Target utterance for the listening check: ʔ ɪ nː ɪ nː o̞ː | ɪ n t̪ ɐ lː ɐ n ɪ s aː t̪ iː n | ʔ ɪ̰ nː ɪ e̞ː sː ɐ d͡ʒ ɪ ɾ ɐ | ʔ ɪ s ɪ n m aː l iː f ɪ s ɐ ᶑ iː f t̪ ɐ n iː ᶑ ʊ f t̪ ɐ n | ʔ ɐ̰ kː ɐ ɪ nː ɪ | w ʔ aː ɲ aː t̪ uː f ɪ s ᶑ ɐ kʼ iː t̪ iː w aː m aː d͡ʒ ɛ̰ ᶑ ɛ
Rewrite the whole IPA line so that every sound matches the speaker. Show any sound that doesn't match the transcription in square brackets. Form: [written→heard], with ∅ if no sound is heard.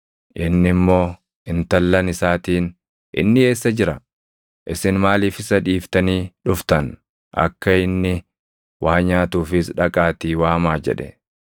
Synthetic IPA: ʔ ɪ nː ɪ [nː→mː] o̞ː | ɪ n t̪ ɐ lː ɐ n ɪ s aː t̪ iː n | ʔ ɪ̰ nː ɪ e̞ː sː ɐ d͡ʒ ɪ ɾ ɐ | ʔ ɪ s ɪ n m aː l iː f ɪ s ɐ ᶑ iː f t̪ ɐ n iː ᶑ ʊ f t̪ ɐ n | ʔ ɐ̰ kː ɐ ɪ nː ɪ | w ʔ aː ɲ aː t̪ uː f ɪ s ᶑ ɐ kʼ [iː→aː] t̪ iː w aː m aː d͡ʒ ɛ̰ ᶑ ɛ